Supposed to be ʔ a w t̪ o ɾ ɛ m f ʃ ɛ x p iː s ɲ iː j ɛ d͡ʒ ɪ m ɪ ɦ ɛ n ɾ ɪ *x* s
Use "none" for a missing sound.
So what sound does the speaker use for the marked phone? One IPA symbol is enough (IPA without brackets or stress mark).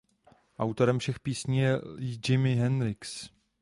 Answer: k